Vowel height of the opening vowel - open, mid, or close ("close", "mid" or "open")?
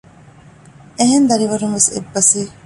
mid